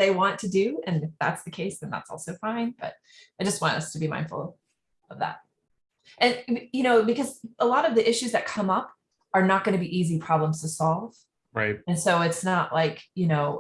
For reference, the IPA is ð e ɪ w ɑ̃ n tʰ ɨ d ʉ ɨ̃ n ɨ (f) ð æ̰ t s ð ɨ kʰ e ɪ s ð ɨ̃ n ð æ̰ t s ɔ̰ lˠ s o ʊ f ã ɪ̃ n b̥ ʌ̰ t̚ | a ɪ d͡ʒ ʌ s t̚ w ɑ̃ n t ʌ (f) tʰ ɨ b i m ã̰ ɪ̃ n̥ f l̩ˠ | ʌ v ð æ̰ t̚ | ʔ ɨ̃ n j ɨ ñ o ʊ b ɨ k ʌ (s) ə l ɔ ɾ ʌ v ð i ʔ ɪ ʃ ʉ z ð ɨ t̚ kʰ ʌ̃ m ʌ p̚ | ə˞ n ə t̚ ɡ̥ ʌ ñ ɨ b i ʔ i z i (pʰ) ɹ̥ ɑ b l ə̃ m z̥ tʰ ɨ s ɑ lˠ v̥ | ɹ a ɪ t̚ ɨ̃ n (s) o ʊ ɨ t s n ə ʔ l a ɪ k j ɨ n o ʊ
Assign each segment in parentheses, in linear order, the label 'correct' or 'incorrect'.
correct, incorrect: s, incorrect: z, correct, correct

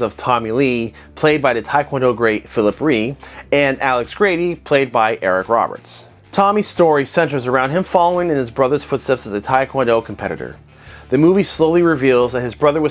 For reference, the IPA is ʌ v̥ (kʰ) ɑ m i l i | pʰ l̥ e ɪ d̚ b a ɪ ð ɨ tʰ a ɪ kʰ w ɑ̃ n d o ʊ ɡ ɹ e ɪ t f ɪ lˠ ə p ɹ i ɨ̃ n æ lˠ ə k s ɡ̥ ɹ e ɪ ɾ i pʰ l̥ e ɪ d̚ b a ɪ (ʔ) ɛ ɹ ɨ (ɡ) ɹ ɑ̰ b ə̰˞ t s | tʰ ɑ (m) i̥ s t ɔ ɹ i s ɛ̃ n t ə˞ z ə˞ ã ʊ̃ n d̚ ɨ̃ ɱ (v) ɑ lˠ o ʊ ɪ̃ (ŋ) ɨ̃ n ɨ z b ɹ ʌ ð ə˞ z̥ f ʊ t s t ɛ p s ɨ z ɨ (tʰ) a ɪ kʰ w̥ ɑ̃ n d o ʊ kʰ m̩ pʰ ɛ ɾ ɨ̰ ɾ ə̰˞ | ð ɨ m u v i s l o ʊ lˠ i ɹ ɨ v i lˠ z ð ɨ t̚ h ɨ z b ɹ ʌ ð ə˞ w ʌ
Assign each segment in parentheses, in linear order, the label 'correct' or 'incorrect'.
incorrect: tʰ, correct, incorrect: k, correct, incorrect: f, correct, correct

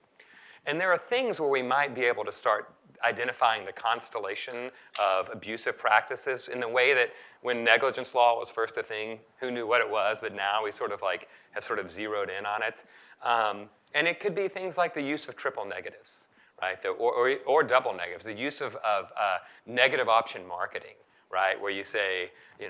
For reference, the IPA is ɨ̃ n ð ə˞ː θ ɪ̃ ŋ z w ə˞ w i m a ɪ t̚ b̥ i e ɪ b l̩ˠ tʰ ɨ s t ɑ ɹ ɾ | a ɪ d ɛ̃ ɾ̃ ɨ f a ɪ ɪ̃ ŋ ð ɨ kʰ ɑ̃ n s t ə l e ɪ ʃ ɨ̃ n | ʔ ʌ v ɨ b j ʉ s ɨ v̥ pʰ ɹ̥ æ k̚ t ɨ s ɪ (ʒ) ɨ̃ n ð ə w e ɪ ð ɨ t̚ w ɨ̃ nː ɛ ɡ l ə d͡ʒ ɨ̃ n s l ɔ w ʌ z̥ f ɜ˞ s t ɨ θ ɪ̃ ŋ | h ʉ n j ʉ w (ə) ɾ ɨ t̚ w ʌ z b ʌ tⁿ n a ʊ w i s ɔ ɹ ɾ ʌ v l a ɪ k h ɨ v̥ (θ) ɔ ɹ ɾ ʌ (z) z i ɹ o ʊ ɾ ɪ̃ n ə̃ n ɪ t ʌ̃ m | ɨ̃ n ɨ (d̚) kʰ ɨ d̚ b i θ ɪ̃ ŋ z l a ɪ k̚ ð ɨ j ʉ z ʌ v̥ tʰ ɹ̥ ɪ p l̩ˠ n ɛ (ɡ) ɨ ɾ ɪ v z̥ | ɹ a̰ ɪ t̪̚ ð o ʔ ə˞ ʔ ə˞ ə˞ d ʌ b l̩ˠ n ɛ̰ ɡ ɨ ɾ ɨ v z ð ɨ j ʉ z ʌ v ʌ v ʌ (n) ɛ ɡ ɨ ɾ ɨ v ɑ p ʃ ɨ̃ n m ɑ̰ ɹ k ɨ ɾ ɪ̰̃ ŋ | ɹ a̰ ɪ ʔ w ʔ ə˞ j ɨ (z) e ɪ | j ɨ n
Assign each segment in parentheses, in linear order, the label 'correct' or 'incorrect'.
incorrect: z, incorrect: ʌ, incorrect: s, incorrect: v, incorrect: t̚, correct, correct, incorrect: s

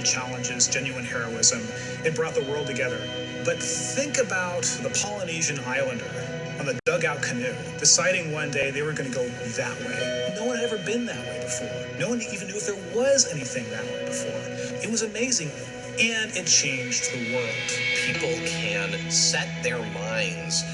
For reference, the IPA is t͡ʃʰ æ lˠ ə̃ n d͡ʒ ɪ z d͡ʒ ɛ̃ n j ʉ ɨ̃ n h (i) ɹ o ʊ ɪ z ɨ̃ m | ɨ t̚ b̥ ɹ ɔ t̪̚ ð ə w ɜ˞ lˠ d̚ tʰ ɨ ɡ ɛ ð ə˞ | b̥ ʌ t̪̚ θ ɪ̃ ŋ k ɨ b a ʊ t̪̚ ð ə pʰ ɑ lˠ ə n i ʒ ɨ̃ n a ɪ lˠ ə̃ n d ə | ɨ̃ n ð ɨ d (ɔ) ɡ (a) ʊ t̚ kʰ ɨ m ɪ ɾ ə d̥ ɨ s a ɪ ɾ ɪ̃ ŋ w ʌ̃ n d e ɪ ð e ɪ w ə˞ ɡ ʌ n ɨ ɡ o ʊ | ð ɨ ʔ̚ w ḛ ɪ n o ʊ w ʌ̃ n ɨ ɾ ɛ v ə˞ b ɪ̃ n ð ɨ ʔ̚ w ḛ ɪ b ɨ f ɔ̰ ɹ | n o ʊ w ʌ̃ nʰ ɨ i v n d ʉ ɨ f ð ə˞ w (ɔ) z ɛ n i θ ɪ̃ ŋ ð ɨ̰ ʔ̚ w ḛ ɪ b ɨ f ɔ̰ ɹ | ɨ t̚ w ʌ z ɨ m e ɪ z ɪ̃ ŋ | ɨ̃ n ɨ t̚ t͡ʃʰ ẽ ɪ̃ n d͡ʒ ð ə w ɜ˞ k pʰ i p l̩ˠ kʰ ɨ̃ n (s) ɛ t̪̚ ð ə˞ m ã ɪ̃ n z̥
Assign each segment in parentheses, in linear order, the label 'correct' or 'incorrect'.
incorrect: ɛ, incorrect: ʌ, correct, incorrect: ʌ, correct

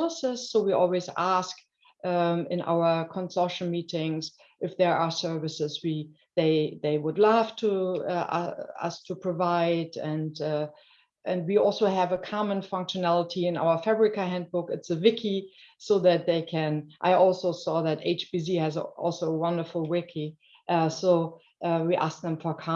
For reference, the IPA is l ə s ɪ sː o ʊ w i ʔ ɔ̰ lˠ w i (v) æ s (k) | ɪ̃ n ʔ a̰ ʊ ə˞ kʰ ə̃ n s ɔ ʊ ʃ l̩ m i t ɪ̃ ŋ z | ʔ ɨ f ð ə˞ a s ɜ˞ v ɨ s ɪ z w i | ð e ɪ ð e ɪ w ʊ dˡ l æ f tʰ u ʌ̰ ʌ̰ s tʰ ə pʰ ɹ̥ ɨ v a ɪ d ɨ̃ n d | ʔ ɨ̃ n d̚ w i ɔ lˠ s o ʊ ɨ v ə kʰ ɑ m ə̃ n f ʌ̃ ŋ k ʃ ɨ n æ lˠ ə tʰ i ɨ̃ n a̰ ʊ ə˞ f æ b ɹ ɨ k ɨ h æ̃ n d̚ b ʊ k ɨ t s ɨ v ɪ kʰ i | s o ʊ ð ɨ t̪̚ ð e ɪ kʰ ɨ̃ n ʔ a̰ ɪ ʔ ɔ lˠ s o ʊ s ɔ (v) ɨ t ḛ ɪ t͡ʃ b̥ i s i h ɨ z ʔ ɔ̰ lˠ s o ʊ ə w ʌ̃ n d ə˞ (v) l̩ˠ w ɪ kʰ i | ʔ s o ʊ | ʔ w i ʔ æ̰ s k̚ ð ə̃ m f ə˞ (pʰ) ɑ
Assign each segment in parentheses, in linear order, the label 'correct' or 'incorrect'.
incorrect: z, correct, incorrect: ð, incorrect: f, incorrect: kʰ

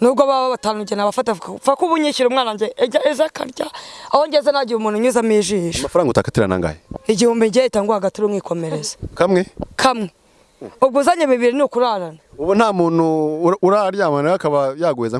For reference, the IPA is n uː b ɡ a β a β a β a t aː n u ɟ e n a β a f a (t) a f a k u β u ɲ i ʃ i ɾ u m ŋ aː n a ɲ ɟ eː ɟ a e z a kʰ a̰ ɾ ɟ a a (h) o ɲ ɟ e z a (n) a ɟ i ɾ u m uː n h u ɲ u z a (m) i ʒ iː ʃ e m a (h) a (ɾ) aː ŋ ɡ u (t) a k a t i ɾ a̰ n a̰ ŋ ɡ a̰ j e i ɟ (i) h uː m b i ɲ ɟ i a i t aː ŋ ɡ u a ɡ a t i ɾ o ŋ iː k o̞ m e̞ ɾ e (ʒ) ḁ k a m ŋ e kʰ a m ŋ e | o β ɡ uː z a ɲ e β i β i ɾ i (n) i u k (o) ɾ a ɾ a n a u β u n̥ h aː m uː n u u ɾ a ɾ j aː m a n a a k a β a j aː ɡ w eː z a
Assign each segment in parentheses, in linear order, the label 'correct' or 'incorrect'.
correct, correct, correct, correct, incorrect: f, correct, correct, correct, incorrect: z, correct, incorrect: u

